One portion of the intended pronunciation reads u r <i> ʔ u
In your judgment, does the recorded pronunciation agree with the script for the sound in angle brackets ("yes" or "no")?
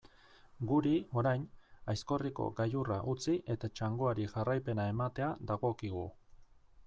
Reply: no